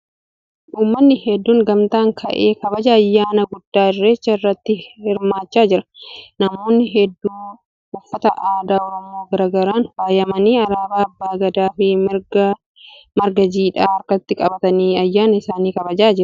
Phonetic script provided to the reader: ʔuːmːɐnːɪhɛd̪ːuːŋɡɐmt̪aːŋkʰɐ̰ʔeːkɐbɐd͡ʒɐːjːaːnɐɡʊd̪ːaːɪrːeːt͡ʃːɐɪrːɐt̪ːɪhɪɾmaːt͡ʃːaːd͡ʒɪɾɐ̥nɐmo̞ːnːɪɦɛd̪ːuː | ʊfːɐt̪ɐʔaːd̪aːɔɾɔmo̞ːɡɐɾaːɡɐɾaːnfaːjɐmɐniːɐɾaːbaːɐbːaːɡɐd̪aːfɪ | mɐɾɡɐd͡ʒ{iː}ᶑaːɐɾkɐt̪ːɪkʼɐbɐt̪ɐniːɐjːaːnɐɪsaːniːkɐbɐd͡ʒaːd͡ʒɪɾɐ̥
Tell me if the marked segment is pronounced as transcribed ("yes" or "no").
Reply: yes